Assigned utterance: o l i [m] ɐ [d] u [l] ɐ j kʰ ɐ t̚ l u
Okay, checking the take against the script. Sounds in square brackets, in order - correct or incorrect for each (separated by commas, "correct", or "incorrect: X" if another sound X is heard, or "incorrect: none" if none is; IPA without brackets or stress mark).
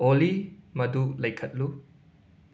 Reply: correct, correct, correct